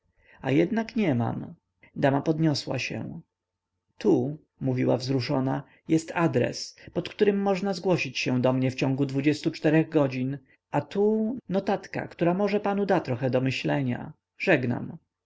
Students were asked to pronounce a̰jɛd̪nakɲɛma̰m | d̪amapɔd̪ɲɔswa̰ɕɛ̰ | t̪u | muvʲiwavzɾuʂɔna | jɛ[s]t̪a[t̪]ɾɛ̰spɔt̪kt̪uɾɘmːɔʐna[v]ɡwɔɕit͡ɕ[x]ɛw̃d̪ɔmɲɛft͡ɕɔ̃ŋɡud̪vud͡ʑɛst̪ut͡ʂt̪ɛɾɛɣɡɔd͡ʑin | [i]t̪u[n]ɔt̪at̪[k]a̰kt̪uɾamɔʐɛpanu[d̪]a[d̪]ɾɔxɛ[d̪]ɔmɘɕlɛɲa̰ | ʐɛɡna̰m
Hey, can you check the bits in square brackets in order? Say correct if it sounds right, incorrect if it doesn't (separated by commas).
correct, incorrect, incorrect, incorrect, incorrect, correct, correct, correct, incorrect, correct